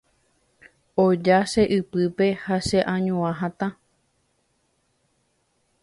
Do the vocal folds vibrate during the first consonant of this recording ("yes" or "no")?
yes